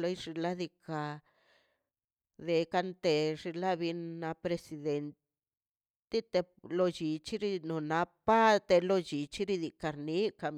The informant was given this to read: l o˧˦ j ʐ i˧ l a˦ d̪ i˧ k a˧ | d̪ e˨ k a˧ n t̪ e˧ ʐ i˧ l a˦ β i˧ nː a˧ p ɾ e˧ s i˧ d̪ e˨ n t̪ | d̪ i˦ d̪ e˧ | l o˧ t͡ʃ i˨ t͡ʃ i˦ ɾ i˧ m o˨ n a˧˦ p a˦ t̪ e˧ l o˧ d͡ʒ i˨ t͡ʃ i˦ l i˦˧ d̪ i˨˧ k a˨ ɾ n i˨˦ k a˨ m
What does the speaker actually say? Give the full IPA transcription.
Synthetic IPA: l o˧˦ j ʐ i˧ l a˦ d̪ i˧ k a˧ | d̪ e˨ k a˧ n t̪ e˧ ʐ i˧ l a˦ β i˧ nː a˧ p ɾ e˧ s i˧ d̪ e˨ n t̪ | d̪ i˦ t̪ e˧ | l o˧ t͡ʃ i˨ t͡ʃ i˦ ɾ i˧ n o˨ n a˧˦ p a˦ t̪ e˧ l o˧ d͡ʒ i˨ t͡ʃ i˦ ɾ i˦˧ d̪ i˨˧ k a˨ ɾ n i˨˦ k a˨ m